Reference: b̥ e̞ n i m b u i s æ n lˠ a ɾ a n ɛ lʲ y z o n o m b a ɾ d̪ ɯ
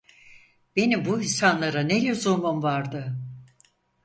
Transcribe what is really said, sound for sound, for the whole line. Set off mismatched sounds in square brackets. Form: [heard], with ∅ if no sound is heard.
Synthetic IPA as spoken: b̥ e̞ n i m b u i s [a] n lˠ a ɾ a n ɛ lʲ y z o [m] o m [v] a ɾ d̪ ɯ